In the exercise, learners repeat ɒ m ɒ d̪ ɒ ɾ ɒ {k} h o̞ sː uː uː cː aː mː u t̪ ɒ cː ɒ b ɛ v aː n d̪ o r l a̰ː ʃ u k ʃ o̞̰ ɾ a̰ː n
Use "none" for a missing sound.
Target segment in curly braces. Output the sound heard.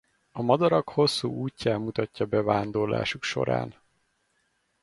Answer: k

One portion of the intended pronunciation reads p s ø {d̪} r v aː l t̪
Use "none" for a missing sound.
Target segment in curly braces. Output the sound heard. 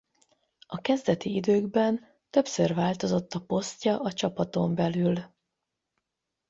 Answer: none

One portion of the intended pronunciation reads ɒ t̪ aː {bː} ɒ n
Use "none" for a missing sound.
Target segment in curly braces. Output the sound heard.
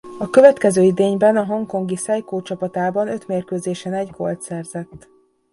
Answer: b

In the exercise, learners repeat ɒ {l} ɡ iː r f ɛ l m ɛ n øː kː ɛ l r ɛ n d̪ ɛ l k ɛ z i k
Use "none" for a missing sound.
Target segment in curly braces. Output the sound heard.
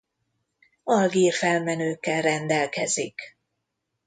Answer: l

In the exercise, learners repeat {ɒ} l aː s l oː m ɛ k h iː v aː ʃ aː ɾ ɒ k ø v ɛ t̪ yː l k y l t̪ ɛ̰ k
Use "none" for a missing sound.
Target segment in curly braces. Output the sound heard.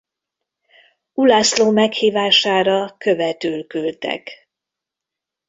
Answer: u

